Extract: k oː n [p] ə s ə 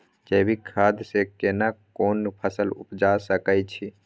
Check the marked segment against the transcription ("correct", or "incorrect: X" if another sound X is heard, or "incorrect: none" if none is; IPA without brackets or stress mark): incorrect: pʰ